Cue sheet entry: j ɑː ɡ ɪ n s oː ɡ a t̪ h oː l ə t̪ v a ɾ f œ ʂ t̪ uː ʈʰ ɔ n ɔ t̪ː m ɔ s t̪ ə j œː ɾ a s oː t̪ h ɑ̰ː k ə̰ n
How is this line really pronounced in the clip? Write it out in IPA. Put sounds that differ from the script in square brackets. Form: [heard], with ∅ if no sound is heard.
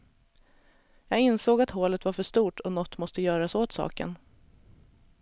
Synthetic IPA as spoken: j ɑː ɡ ɪ n s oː ɡ a t̪ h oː l ə t̪ v a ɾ f œ ʂ t̪ uː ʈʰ ɔ n ɔ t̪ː m ɔ s t̪ ə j œː ɾ a s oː t̪ [s] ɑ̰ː k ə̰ n